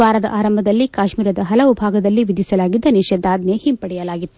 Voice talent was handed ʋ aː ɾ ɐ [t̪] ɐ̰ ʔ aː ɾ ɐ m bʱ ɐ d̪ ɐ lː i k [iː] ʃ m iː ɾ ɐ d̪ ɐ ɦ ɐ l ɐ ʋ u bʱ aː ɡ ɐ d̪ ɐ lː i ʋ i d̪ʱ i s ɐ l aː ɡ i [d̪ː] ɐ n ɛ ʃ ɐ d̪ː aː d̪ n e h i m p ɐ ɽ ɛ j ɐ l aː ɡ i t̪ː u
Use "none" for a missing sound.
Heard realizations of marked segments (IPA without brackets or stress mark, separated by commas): d̪, aː, d̪ː